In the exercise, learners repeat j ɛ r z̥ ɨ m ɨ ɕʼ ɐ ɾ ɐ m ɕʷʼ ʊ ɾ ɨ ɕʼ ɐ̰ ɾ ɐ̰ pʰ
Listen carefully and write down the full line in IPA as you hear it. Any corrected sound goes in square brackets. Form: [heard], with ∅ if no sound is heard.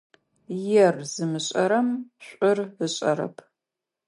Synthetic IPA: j ɛ r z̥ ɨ m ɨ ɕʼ ɐ ɾ ɐ m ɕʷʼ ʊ [r] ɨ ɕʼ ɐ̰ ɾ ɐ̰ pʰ